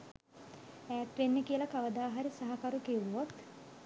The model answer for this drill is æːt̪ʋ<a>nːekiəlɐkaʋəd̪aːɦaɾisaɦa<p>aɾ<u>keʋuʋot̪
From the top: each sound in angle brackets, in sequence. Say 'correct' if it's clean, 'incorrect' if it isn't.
incorrect: e, incorrect: k, correct

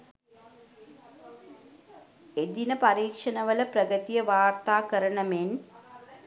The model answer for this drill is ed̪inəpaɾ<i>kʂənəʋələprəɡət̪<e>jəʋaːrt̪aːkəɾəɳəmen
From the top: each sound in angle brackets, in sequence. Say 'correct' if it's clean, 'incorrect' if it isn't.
incorrect: iː, incorrect: i

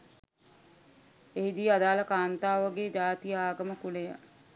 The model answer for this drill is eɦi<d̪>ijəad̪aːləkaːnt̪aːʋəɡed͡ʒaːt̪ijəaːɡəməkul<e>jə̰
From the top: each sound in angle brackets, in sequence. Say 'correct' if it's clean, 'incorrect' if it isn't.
correct, correct

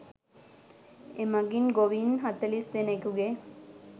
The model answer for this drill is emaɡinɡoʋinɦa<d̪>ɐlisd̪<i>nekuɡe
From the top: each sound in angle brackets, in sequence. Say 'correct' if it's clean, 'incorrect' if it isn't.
incorrect: t̪, incorrect: e

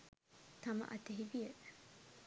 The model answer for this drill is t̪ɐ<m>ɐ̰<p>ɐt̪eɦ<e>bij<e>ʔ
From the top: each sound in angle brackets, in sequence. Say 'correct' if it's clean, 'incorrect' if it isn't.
correct, incorrect: ʔ, incorrect: i, correct

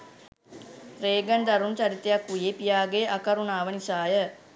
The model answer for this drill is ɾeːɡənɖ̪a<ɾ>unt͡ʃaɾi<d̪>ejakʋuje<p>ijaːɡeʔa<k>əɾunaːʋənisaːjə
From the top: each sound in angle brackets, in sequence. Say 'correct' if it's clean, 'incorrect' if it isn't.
correct, incorrect: t̪, correct, correct

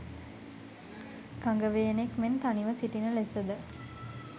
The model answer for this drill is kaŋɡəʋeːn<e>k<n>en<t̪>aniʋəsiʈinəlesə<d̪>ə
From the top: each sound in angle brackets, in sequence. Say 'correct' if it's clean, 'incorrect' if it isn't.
correct, incorrect: m, correct, correct

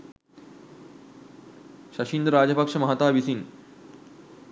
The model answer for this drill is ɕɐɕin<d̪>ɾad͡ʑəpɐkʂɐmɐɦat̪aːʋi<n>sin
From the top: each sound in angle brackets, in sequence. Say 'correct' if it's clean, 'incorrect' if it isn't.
correct, incorrect: none

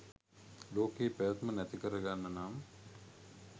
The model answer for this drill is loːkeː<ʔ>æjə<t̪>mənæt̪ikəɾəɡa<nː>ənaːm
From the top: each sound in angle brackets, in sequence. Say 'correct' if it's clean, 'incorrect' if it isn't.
incorrect: p, correct, correct

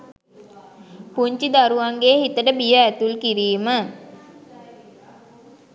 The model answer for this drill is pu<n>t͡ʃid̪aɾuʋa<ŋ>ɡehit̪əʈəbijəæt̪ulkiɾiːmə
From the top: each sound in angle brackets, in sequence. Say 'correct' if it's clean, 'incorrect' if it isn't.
incorrect: ɲ, correct

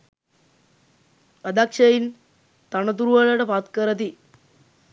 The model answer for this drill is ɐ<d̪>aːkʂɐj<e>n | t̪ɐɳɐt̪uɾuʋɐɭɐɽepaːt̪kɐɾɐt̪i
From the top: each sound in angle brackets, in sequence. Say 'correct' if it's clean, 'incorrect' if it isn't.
correct, incorrect: i

